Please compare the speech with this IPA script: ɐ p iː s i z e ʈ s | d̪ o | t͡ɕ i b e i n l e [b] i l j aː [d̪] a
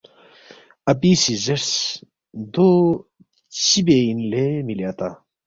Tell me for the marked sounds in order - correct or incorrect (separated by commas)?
incorrect, incorrect